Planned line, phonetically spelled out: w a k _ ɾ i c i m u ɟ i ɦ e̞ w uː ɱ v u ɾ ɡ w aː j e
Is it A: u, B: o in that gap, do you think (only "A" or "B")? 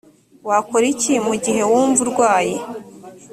B